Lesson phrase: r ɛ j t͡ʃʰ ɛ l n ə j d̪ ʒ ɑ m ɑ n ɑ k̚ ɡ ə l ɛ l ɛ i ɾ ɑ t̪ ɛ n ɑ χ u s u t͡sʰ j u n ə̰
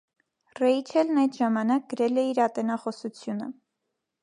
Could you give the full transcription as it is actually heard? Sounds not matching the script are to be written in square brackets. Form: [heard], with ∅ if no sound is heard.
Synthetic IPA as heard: r ɛ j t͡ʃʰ ɛ l n [ɑ] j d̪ ʒ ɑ m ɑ n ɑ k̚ ɡ ə [ɾ] ɛ l ɛ i ɾ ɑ t̪ ɛ n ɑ χ [ɔ] s u t͡sʰ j u n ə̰